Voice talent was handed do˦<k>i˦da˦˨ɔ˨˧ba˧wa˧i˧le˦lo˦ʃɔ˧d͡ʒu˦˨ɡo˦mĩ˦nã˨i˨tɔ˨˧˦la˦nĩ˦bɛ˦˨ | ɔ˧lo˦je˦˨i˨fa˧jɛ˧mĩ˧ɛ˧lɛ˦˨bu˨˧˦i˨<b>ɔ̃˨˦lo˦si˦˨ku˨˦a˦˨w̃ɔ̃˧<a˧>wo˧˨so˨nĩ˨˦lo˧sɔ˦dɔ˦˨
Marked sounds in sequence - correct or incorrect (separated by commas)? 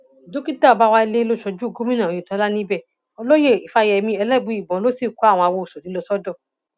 correct, correct, correct